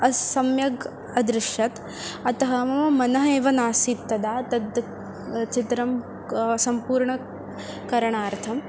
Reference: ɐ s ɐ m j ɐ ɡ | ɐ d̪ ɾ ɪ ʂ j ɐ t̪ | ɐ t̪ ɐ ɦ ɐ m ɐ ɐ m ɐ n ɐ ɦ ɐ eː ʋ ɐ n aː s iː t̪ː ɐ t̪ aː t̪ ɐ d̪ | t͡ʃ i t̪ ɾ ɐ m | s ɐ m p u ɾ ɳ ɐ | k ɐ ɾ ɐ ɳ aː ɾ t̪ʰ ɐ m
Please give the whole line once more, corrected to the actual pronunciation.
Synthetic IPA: ɐ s ɐ m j ɐ ɡ | ɐ d̪ ɾ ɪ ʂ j ɐ t̪ | ɐ t̪ ɐ ɦ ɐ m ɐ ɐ m ɐ n ɐ ɦ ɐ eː ʋ ɐ n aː s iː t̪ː ɐ d̪ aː t̪ ɐ d̪ | t͡ʃ i t̪ ɾ ɐ m | s ɐ m p uː ɾ ɳ ɐ | k ɐ ɾ ɐ ɳ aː ɾ t̪ʰ ɐ m

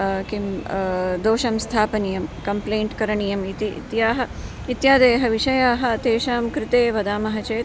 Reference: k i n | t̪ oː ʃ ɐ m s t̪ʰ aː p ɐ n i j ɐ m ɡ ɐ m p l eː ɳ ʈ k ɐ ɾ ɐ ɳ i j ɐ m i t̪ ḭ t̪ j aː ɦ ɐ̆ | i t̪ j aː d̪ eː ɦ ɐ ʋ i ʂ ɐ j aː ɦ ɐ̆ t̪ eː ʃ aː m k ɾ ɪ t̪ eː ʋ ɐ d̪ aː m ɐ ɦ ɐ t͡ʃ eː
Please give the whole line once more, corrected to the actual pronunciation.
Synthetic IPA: k i m | d̪ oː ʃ ɐ m s t̪ʰ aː p ɐ n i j ɐ m k ɐ m p l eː ɳ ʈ k ɐ ɾ ɐ ɳ i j ɐ m i t̪ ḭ t̪ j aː ɦ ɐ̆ | i t̪ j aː d̪ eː ɦ ɐ ʋ i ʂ ɐ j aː ɦ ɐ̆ t̪ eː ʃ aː m k ɾ ɪ t̪ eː ʋ ɐ d̪ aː m ɐ ɦ ɐ t͡ʃ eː

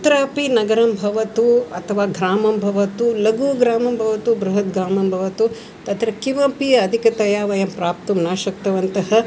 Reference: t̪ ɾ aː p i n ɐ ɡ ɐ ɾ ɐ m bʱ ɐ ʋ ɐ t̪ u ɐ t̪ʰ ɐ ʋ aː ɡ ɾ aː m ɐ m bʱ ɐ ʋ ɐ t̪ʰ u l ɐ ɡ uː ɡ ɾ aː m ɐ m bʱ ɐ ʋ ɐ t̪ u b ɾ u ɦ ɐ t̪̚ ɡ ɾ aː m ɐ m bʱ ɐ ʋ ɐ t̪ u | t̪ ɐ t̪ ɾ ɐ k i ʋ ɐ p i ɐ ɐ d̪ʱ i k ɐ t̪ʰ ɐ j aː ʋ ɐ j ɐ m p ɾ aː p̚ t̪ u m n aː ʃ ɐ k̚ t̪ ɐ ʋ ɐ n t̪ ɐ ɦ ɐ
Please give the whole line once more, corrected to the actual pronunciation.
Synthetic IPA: t̪ ɾ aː p i n ɐ ɡ ɐ ɾ ɐ m bʱ ɐ ʋ ɐ t̪ u ɐ t̪ʰ ɐ ʋ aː ɡ ɾ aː m ɐ m bʱ ɐ ʋ ɐ t̪ u l ɐ ɡ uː ɡ ɾ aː m ɐ m bʱ ɐ ʋ ɐ t̪ u b ɾ u ɦ ɐ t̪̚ ɡ ɾ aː m ɐ m bʱ ɐ ʋ ɐ t̪ u | t̪ ɐ t̪ ɾ ɐ k i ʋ ɐ p i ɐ ɐ d̪ʱ i k ɐ t̪ ɐ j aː ʋ ɐ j ɐ m p ɾ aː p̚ t̪ u m n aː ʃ ɐ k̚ t̪ ɐ ʋ ɐ n t̪ ɐ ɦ ɐ

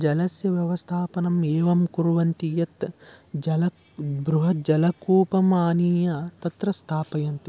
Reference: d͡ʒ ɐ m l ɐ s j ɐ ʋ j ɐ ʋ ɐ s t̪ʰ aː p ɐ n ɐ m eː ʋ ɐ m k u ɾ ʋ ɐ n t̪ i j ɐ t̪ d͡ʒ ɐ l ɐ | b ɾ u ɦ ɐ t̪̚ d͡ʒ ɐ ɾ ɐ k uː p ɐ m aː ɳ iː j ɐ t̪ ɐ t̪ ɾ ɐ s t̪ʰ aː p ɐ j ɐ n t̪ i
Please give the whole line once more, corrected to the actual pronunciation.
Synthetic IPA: d͡ʒ ɐ l ɐ s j ɐ ʋ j ɐ ʋ ɐ s t̪ʰ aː p ɐ n ɐ m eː ʋ ɐ m k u ɾ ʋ ɐ n t̪ i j ɐ t̪ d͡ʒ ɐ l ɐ | b ɾ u ɦ ɐ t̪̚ d͡ʒ ɐ l ɐ k uː p ɐ m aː n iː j ɐ t̪ ɐ t̪ ɾ ɐ s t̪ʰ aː p ɐ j ɐ n t̪ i

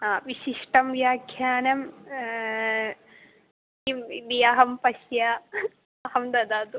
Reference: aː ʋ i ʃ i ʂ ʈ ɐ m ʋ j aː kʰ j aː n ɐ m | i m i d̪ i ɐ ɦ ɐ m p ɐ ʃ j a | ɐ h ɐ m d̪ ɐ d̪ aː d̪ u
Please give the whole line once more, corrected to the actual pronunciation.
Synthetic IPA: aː ʋ i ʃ i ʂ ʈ ɐ m ʋ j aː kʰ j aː n ɐ m | i m i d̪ i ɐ ɦ ɐ m p ɐ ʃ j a | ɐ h ɐ m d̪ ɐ d̪ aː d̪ u

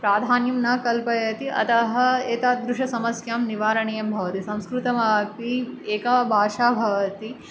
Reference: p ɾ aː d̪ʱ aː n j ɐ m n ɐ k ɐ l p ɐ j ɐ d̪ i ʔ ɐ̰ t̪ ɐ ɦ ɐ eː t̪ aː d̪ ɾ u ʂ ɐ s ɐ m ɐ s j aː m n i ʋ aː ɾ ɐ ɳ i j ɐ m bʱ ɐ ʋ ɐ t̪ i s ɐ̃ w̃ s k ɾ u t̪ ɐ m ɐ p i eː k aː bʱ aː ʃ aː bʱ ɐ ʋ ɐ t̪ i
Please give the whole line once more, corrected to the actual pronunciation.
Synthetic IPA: p ɾ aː d̪ʱ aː n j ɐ m n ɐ k ɐ l p ɐ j ɐ t̪ i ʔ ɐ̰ t̪ ɐ ɦ ɐ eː t̪ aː d̪ ɾ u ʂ ɐ s ɐ m ɐ s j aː m n i ʋ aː ɾ ɐ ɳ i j ɐ m bʱ ɐ ʋ ɐ t̪ i s ɐ̃ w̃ s k ɾ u t̪ ɐ m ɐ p i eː k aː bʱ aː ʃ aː bʱ ɐ ʋ ɐ t̪ i

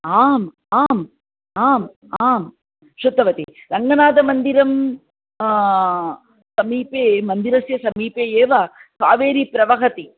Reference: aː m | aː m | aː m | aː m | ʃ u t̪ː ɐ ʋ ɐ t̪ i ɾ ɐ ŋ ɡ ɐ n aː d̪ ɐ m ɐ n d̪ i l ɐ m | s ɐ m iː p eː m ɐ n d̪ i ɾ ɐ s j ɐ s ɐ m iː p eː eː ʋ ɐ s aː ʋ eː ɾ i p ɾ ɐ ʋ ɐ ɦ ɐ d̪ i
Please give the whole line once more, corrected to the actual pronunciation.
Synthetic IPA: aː m | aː m | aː m | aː m | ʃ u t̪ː ɐ ʋ ɐ t̪ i ɾ ɐ ŋ ɡ ɐ n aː d̪ ɐ m ɐ n d̪ i ɾ ɐ m | s ɐ m iː p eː m ɐ n d̪ i ɾ ɐ s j ɐ s ɐ m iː p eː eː ʋ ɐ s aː ʋ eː ɾ i p ɾ ɐ ʋ ɐ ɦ ɐ t̪ i

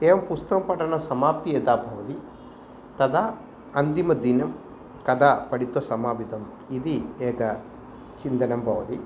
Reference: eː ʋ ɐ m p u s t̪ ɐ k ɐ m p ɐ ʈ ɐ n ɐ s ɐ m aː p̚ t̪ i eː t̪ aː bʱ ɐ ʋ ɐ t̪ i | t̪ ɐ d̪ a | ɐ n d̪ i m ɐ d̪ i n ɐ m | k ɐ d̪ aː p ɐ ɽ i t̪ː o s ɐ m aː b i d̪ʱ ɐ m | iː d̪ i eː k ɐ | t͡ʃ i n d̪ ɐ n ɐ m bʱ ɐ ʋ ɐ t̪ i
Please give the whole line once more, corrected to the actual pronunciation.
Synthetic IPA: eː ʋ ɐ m p u s t̪ ɐ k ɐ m p ɐ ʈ ɐ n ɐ s ɐ m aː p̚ t̪ i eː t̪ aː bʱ ɐ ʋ ɐ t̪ i | t̪ ɐ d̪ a | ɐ n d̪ i m ɐ d̪ i n ɐ m | k ɐ d̪ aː p ɐ ɽ i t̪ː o s ɐ m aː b i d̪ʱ ɐ m | i d̪ i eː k ɐ | t͡ʃ i n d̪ ɐ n ɐ m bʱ ɐ ʋ ɐ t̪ i

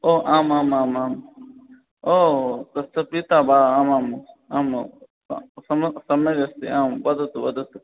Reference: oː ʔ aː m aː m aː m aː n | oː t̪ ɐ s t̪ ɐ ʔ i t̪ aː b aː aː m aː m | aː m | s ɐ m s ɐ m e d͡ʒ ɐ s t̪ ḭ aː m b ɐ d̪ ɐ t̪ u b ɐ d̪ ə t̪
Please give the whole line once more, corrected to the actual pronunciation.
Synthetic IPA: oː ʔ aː m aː m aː m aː m | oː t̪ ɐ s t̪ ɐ p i t̪ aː b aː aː m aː m | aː m | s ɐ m s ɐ m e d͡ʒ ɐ s t̪ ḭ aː m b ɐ d̪ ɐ t̪ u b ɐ d̪ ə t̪

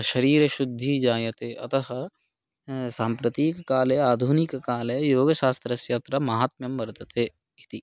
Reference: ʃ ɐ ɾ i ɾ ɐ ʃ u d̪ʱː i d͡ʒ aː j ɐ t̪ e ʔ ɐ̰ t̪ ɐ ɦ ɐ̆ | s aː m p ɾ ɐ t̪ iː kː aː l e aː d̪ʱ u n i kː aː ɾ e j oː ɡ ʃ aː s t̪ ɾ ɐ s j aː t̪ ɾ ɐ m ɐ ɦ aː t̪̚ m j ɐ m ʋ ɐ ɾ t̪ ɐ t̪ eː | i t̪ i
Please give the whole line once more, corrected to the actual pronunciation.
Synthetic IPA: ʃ ɐ ɾ iː ɾ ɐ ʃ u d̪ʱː i d͡ʒ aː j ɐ t̪ e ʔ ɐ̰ t̪ ɐ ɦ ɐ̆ | s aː m p ɾ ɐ t̪ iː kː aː l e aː d̪ʱ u n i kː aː l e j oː ɡ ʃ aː s t̪ ɾ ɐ s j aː t̪ ɾ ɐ m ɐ ɦ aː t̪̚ m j ɐ m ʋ ɐ ɾ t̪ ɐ t̪ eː | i t̪ i

